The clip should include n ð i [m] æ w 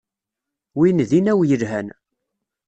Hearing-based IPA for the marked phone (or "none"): n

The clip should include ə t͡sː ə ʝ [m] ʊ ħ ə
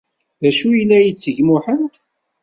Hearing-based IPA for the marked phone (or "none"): m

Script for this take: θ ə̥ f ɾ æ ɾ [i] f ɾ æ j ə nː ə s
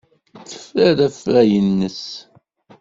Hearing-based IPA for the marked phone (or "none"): æ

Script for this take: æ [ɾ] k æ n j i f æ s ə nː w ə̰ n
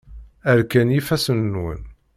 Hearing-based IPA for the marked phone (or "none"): ɾ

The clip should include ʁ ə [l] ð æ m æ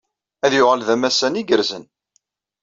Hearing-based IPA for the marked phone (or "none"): l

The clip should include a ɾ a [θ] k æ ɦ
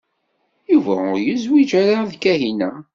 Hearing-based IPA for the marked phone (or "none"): ð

